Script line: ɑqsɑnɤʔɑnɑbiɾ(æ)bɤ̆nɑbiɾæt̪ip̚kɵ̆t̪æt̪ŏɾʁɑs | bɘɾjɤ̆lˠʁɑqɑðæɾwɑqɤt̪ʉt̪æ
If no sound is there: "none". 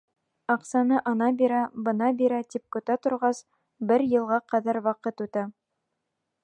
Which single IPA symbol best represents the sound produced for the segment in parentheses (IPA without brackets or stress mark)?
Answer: æ